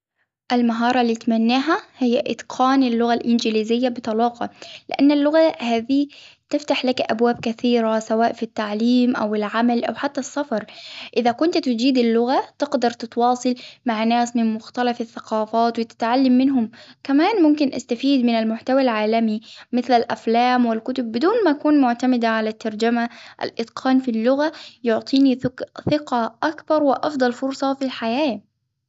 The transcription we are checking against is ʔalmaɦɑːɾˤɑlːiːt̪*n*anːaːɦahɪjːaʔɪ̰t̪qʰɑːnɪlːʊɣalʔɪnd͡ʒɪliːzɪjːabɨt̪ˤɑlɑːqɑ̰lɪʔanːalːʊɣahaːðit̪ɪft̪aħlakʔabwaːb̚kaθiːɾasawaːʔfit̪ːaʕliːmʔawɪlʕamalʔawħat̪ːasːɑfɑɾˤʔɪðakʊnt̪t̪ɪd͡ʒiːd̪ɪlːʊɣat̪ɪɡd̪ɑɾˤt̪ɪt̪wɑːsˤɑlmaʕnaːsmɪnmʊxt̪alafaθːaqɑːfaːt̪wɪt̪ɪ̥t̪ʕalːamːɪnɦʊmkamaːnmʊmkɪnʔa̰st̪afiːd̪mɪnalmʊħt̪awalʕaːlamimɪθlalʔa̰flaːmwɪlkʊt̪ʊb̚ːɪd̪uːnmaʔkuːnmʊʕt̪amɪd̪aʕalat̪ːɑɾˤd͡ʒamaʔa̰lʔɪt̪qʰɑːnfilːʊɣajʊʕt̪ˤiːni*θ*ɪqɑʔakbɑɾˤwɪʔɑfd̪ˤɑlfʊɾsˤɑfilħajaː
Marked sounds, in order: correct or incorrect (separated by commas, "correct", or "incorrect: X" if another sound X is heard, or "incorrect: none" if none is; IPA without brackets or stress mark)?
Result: incorrect: m, correct